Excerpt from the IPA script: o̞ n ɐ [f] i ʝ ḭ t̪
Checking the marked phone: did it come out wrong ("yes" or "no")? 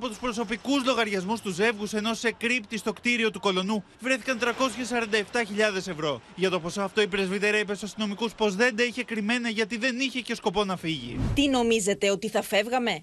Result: no